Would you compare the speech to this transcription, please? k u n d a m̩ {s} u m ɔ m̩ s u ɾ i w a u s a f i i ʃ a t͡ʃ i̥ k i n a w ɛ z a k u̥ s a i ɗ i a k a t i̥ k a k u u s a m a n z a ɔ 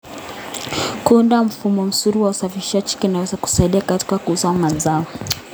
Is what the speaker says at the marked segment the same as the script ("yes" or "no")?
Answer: no